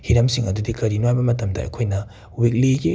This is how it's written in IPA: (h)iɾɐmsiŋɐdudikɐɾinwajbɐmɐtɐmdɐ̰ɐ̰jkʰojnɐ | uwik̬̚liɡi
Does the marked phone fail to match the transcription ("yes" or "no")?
no